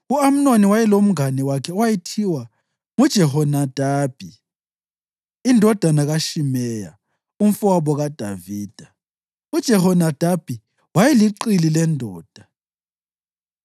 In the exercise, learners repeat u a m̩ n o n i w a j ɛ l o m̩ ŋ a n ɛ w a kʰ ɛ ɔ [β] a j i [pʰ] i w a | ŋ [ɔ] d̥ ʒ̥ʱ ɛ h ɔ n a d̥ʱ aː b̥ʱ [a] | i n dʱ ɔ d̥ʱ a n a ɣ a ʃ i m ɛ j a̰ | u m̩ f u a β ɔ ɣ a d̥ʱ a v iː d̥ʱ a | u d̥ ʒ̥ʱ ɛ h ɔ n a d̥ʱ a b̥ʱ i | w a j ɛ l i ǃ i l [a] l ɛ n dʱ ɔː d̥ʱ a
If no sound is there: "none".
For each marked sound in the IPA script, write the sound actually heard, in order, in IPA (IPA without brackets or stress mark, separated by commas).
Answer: w, tʰ, u, i, i